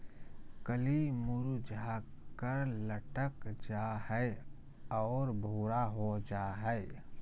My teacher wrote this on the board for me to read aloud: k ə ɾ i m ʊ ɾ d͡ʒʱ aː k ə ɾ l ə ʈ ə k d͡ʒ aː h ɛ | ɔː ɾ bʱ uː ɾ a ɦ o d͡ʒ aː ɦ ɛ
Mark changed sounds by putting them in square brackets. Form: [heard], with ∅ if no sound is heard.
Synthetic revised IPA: k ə [l] i m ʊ ɾ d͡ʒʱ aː k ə ɾ l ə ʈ ə k d͡ʒ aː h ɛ | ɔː ɾ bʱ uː ɾ a ɦ o d͡ʒ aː ɦ ɛ

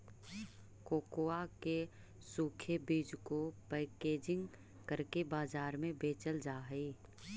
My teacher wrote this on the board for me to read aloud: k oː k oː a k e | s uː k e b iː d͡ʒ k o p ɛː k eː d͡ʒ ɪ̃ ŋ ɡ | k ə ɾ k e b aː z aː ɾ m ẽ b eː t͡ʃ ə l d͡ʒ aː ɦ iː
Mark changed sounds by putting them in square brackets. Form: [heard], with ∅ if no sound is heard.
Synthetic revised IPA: k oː k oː a k e | s uː [kʰ] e b iː d͡ʒ k o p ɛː k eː d͡ʒ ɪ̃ ŋ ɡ | k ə ɾ k e b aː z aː ɾ m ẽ b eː t͡ʃ ə l d͡ʒ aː ɦ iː

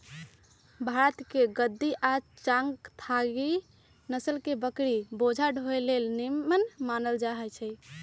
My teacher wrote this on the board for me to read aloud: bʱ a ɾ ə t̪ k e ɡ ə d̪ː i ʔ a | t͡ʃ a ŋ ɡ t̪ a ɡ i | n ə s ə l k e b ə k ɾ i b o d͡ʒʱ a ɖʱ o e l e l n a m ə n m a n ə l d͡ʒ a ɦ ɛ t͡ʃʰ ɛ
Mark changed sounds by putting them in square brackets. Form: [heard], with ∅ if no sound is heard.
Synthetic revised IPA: bʱ a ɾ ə t̪ k e ɡ ə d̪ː i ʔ a | t͡ʃ a ŋ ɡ [t̪ʰ] a ɡ i | n ə s ə l k e b ə k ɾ i b o d͡ʒʱ a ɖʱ o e l e l n [i] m ə n m a n ə l d͡ʒ a ɦ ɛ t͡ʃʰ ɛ

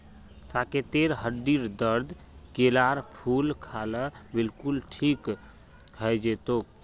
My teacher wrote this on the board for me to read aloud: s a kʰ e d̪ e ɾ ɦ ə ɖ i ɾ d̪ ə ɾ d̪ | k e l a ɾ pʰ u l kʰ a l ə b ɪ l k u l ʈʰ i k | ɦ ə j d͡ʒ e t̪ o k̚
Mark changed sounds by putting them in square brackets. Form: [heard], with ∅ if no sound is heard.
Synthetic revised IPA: s a [k] e [t̪] e ɾ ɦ ə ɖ i ɾ d̪ ə ɾ d̪ | k e l a ɾ pʰ u l kʰ a l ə b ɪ l k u l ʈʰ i k | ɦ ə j d͡ʒ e t̪ o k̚

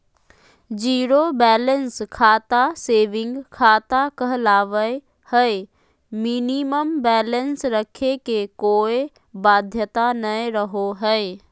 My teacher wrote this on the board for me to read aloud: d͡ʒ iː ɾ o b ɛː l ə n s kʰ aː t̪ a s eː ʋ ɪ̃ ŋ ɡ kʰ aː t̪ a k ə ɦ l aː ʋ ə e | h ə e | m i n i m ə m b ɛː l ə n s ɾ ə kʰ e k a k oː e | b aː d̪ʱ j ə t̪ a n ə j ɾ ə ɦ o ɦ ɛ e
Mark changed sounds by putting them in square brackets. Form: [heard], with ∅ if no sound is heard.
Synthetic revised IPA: d͡ʒ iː ɾ o b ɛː l ə n s kʰ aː t̪ a s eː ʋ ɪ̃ ŋ ɡ kʰ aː t̪ a k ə ɦ l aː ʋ ə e | h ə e | m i n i m ə m b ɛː l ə n s ɾ ə kʰ e k [e] k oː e | b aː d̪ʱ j ə t̪ a n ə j ɾ ə ɦ o ɦ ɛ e

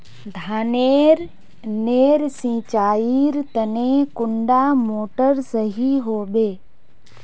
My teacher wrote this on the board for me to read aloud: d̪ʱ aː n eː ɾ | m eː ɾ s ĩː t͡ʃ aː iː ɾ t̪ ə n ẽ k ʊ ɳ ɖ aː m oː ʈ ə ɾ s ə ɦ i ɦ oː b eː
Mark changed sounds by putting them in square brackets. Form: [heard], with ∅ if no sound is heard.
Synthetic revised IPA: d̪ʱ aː n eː ɾ | [n] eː ɾ s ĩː t͡ʃ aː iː ɾ t̪ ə n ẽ k ʊ ɳ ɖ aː m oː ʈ ə ɾ s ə ɦ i ɦ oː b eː

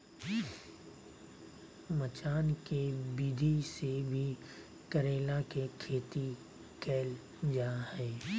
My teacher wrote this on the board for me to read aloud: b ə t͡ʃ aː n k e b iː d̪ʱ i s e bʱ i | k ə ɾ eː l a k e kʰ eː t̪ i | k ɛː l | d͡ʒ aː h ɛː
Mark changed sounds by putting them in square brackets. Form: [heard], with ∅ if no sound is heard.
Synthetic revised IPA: [m] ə t͡ʃ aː n k e b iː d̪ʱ i s e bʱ i | k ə ɾ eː l a k e kʰ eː t̪ i | k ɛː l | d͡ʒ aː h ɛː

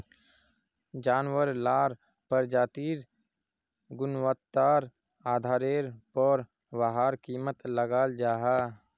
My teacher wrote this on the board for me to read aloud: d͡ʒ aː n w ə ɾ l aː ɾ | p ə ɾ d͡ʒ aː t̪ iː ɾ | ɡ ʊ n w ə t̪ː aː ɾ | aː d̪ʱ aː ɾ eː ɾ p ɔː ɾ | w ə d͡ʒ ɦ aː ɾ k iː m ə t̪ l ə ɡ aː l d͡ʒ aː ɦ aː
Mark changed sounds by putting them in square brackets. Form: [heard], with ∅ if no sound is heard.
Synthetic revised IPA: d͡ʒ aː n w ə ɾ l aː ɾ | p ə ɾ d͡ʒ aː t̪ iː ɾ | ɡ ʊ n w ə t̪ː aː ɾ | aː d̪ʱ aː ɾ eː ɾ p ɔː ɾ | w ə [∅] ɦ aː ɾ k iː m ə t̪ l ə ɡ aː l d͡ʒ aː ɦ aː

